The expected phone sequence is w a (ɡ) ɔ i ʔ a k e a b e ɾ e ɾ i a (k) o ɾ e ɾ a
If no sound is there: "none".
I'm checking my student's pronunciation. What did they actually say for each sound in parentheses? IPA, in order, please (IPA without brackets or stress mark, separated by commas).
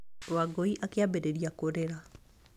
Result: ɡ, k